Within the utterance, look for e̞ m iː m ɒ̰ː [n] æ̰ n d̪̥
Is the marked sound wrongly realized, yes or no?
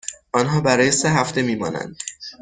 no